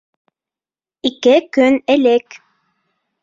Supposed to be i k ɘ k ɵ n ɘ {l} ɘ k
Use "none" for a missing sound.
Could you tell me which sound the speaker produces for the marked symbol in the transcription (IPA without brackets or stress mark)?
l